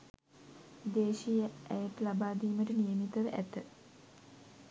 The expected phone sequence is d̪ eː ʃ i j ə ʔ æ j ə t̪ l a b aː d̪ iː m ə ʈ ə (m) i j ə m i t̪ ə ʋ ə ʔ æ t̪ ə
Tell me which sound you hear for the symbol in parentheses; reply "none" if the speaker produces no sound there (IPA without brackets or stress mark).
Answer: n